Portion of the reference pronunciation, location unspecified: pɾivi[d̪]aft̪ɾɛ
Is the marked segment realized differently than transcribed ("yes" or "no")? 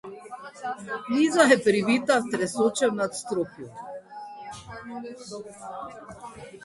yes